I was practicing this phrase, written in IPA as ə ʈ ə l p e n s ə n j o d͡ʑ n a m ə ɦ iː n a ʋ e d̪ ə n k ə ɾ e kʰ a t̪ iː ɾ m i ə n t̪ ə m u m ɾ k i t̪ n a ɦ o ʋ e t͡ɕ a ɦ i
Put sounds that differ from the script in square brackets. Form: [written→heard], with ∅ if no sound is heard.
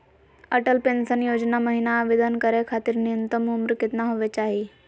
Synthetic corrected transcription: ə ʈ ə l p e n s ə n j o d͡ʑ n a m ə ɦ [iː→i] n a ʋ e d̪ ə n k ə ɾ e kʰ a t̪ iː ɾ [m→n] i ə n t̪ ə m u m ɾ k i t̪ n a ɦ o ʋ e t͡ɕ a ɦ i